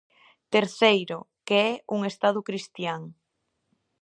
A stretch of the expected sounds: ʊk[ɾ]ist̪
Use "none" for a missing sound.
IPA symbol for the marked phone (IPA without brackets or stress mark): ɾ